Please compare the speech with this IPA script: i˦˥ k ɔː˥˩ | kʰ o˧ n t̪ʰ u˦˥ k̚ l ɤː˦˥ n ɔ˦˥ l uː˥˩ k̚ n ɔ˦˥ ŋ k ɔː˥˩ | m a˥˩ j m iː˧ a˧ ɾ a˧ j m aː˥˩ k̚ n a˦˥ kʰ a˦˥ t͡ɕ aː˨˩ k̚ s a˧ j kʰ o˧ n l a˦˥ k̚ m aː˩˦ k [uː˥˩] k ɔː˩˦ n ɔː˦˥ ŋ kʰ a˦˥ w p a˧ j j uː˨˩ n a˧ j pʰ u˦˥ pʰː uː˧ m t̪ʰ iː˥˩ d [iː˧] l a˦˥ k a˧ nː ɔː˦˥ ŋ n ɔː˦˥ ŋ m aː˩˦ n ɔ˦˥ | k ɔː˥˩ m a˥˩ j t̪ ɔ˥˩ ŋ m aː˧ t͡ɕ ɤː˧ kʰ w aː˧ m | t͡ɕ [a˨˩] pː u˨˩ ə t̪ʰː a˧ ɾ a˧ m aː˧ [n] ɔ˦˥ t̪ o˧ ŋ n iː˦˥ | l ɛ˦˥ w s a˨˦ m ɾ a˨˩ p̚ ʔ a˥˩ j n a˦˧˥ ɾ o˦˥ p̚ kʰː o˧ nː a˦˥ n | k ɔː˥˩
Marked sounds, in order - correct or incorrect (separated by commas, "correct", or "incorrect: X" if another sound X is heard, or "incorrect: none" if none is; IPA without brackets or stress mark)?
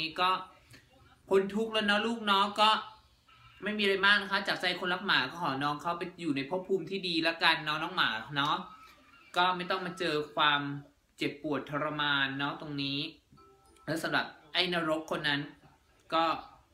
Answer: incorrect: ɔː˥˩, correct, incorrect: e˨˩, incorrect: nː